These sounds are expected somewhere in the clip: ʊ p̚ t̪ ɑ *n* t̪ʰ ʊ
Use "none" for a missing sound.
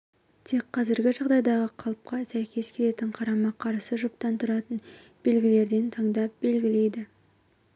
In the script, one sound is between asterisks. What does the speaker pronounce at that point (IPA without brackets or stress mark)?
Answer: n